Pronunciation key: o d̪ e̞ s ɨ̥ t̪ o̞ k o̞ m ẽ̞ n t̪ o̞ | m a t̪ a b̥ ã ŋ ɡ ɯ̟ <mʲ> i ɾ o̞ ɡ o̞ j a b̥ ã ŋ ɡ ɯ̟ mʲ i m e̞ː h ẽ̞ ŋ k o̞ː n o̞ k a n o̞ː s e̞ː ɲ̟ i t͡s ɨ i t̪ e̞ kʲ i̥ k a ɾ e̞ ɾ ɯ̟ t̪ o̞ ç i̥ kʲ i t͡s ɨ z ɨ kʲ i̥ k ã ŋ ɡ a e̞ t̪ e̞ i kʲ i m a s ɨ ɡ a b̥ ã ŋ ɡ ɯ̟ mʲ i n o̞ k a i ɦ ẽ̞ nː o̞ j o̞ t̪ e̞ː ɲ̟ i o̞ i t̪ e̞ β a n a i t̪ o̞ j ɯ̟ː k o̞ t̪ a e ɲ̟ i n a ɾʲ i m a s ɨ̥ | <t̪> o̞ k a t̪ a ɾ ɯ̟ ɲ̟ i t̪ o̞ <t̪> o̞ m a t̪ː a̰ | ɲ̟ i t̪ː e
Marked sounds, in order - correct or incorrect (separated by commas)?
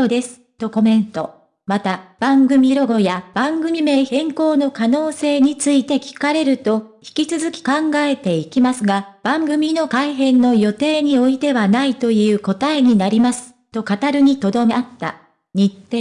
correct, correct, incorrect